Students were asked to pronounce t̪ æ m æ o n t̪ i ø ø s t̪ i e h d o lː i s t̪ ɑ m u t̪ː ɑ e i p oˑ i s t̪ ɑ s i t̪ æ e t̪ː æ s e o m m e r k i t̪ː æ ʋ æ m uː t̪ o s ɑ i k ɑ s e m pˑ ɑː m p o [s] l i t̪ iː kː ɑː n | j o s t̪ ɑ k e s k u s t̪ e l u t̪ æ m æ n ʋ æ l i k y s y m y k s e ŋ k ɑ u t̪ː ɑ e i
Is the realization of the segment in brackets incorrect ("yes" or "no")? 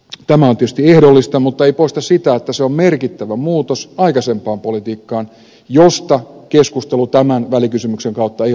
yes